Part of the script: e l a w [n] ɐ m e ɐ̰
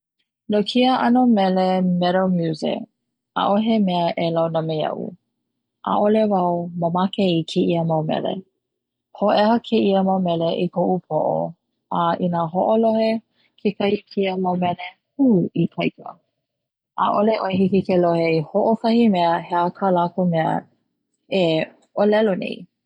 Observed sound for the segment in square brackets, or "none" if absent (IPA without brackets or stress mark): n